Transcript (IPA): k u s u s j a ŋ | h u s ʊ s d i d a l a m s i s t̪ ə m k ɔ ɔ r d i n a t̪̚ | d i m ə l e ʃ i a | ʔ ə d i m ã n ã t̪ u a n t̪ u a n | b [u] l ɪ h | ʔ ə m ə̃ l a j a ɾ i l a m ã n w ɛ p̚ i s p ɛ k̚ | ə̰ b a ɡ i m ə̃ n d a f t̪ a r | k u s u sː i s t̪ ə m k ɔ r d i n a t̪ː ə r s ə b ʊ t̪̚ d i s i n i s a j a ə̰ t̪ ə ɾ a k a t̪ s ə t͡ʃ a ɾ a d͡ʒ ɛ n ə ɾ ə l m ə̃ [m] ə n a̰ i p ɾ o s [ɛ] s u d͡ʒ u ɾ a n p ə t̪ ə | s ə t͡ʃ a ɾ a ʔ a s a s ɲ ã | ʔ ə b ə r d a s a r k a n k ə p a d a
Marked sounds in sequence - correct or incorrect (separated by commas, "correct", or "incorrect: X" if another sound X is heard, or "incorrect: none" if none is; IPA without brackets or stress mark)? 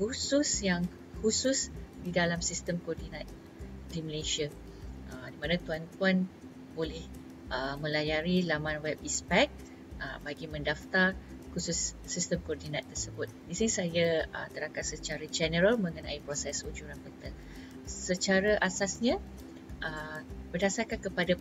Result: incorrect: o, incorrect: ŋ, correct